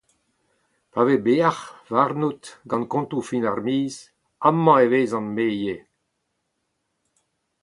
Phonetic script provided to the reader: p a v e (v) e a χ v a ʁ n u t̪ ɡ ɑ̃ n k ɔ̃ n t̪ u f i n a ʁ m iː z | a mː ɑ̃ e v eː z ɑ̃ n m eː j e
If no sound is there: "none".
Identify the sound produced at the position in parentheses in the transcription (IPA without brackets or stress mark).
b